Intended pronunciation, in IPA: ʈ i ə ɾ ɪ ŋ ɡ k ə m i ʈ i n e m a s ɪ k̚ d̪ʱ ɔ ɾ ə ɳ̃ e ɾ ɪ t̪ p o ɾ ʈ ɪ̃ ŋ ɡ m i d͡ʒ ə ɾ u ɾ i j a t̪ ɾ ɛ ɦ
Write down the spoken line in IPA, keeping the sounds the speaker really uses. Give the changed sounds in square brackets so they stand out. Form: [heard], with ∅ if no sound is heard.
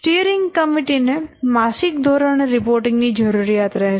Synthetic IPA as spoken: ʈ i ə ɾ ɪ ŋ ɡ k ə m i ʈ i n e m a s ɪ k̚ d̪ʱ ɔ ɾ ə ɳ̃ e ɾ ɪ [∅] p o ɾ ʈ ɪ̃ ŋ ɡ [n] i d͡ʒ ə ɾ u ɾ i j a t̪ ɾ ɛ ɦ